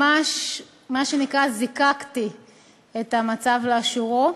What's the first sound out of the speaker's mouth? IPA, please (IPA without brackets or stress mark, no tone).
a